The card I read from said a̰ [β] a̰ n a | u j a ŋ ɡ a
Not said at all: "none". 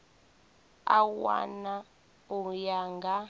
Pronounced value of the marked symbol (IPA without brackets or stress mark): w